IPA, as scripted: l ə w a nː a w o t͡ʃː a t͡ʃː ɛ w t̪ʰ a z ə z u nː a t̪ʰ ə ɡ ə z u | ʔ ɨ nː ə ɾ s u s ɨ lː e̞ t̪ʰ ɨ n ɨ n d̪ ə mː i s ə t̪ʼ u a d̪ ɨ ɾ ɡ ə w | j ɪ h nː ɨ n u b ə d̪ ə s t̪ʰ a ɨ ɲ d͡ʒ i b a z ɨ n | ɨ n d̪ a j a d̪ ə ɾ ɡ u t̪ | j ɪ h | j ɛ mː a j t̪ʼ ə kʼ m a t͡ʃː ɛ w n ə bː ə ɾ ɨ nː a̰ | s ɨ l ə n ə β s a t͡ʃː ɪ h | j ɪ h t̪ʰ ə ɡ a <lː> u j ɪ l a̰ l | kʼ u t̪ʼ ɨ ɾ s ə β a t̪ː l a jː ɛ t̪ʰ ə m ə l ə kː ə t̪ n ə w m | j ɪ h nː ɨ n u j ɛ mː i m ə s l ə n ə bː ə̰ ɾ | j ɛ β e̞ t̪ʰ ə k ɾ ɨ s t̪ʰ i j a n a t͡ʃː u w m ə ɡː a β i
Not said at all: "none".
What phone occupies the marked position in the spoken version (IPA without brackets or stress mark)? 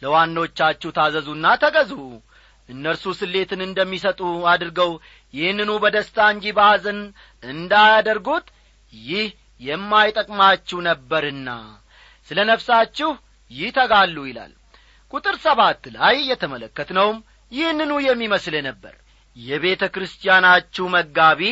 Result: lː